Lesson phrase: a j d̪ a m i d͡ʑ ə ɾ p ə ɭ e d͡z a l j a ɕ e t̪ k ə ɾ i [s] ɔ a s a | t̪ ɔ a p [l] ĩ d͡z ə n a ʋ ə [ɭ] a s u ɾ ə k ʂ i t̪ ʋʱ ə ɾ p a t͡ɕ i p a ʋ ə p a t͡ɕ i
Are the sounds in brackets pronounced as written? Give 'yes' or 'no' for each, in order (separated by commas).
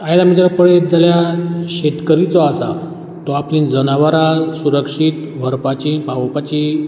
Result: no, yes, no